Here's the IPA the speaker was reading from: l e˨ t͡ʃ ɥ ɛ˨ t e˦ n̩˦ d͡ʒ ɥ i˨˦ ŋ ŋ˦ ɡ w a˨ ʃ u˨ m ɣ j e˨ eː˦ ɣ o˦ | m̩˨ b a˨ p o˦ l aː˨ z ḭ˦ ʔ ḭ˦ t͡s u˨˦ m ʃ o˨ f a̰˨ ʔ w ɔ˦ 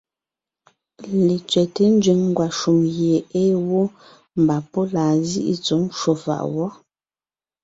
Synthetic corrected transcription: l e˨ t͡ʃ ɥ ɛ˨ t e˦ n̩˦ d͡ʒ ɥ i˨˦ ŋ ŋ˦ ɡ w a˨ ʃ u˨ m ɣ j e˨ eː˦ w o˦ | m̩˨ b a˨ p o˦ l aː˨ z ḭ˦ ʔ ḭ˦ t͡s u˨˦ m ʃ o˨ f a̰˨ ʔ w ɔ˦